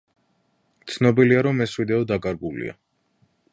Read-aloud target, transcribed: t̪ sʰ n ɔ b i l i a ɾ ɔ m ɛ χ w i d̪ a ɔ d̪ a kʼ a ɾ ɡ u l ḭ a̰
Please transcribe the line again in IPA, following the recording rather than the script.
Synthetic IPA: t̪ sʰ n ɔ b i l i a ɾ ɔ m ɛ s w i d̪ ɛ ɔ d̪ a kʼ a ɾ ɡ u l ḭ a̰

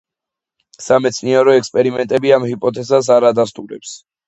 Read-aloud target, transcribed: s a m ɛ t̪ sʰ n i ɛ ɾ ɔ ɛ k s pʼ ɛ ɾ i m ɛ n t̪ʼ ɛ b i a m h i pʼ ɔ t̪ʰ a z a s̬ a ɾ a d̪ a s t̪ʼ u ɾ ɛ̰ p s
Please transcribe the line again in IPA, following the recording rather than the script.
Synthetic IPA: s a m ɛ t̪ sʰ n i ɛ ɾ ɔ ɛ k s pʼ ɛ ɾ i m ɛ n t̪ʼ ɛ b i a m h i pʼ ɔ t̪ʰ ɛ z a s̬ a ɾ a d̪ a s t̪ʼ u ɾ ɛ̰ p s

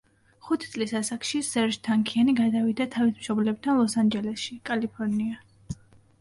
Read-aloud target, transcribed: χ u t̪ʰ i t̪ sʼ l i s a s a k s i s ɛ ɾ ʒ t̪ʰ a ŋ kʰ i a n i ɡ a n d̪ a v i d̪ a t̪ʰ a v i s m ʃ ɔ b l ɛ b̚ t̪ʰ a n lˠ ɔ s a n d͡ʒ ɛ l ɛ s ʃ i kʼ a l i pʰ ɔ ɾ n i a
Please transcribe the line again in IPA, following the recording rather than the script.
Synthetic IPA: χ u t̪ʰ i t̪ sʼ l i s a s a k ʃ i s ɛ ɾ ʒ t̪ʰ a ŋ kʰ i a n i ɡ a d̪ a v i d̪ a t̪ʰ a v i s m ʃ ɔ b l ɛ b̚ t̪ʰ a n lˠ ɔ s a n d͡ʒ ɛ l ɛ s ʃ i kʼ a l i pʰ ɔ ɾ n i a

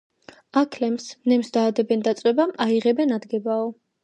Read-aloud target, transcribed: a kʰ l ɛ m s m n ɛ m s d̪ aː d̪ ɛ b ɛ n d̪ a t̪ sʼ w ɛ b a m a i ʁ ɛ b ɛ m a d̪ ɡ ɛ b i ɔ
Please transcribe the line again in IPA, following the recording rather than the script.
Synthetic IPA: a kʰ l ɛ m s m n ɛ m s d̪ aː d̪ ɛ b ɛ n d̪ a t̪ sʼ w ɛ b a m a i ʁ ɛ b ɛ n a d̪ ɡ ɛ b a ɔ

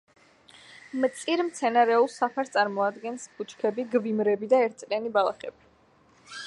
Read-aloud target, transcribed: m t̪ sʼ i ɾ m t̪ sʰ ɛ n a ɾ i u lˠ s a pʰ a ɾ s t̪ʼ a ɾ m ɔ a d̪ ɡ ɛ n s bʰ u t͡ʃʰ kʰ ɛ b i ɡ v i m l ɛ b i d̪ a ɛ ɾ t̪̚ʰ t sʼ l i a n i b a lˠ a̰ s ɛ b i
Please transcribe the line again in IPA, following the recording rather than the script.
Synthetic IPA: m t̪ sʼ i ɾ m t̪ sʰ ɛ n a ɾ ɛ u lˠ s a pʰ a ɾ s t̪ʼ a ɾ m ɔ a d̪ ɡ ɛ n s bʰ u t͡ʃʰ kʰ ɛ b i ɡ v i m ɾ ɛ b i d̪ a ɛ ɾ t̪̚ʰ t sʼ l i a n i b a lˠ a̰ χ ɛ b i

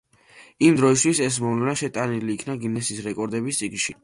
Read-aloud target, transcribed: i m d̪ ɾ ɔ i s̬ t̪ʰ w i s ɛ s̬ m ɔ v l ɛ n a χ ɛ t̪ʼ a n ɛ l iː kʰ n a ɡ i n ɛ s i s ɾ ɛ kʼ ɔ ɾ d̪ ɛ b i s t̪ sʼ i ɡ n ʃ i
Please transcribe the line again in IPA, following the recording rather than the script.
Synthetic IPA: i m d̪ ɾ ɔ i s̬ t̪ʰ w i s ɛ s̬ m ɔ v l ɛ n a ʃ ɛ t̪ʼ a n i l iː kʰ n a ɡ i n ɛ s i s ɾ ɛ kʼ ɔ ɾ d̪ ɛ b i s t̪ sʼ i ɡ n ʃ i

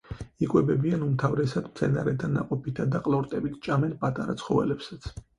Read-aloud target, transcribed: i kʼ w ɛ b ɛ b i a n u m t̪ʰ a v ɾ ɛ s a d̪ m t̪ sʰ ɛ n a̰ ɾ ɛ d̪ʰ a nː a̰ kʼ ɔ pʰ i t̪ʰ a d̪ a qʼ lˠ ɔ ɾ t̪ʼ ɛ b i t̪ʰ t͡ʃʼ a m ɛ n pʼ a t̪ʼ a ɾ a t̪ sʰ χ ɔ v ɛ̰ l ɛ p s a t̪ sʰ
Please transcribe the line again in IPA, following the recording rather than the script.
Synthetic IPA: i kʼ w ɛ b ɛ b i a n u m t̪ʰ a v ɾ ɛ s a d̪ m t̪ sʰ ɛ n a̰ ɾ ɛ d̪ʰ a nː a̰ qʼ ɔ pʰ i t̪ʰ a d̪ a qʼ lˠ ɔ ɾ t̪ʼ ɛ b i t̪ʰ t͡ʃʼ a m ɛ n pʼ a t̪ʼ a ɾ a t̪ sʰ χ ɔ v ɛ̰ l ɛ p s a t̪ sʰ

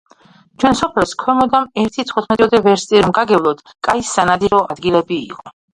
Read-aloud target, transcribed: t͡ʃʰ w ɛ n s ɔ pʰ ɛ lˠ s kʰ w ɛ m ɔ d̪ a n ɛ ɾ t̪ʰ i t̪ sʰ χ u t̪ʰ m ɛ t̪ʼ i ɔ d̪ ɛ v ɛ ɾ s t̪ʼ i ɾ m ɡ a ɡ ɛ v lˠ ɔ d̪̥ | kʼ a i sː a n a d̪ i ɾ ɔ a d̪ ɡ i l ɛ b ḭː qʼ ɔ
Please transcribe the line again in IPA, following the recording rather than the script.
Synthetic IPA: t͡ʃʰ w ɛ n s ɔ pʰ ɛ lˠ s kʰ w ɛ m ɔ d̪ a m ɛ ɾ t̪ʰ i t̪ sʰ χ u t̪ʰ m ɛ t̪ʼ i ɔ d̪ ɛ v ɛ ɾ s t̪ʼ i ɾ m ɡ a ɡ ɛ v lˠ ɔ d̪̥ | kʼ a i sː a n a d̪ i ɾ ɔ a d̪ ɡ i l ɛ b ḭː qʼ ɔ

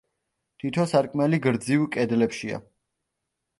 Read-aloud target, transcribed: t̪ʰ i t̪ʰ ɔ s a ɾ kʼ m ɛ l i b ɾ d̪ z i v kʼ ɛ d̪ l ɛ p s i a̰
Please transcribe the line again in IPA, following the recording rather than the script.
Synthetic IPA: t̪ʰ i t̪ʰ ɔ s a ɾ kʼ m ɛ l i ɡ ɾ d̪ z i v kʼ ɛ d̪ l ɛ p ʃ i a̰

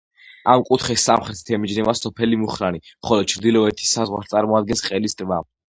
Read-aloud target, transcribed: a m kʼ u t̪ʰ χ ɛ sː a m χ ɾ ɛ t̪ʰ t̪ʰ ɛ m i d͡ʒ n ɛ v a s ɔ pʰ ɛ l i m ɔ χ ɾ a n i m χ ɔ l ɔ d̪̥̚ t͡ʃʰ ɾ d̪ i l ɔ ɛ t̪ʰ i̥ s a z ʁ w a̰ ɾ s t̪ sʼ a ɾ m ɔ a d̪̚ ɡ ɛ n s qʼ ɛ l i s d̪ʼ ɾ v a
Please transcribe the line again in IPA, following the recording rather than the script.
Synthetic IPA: a m kʼ u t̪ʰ χ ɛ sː a m χ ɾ ɛ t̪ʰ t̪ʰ ɛ m i d͡ʒ n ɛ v a s ɔ pʰ ɛ l i m u χ ɾ a n i m χ ɔ l ɔ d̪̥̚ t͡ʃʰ ɾ d̪ i l ɔ ɛ t̪ʰ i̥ s a z ʁ w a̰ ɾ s t̪ sʼ a ɾ m ɔ a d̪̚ ɡ ɛ n s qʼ ɛ l i s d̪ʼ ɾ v a

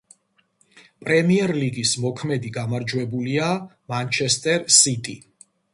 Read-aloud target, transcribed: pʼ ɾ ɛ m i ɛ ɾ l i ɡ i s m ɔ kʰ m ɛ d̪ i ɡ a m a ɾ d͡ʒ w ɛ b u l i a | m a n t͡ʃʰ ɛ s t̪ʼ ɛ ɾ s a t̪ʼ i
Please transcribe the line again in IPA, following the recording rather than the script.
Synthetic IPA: pʼ ɾ ɛ m i ɛ ɾ l i ɡ i s m ɔ kʰ m ɛ d̪ i ɡ a m a ɾ d͡ʒ w ɛ b u l i a | m a n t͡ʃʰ ɛ s t̪ʼ ɛ ɾ s i t̪ʼ i

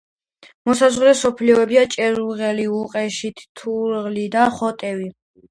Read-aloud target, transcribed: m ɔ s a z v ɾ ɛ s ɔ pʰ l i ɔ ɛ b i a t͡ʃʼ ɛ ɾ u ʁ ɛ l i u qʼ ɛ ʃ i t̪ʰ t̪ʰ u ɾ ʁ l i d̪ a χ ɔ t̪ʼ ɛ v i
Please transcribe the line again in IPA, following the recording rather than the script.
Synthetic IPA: m ɔ s a z ʁ ɾ ɛ s ɔ pʰ l i ɔ ɛ b i a t͡ʃʼ ɛ ɾ u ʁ ɛ l i u qʼ ɛ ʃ i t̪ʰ t̪ʰ u ɾ ʁ l i d̪ a χ ɔ t̪ʼ ɛ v i

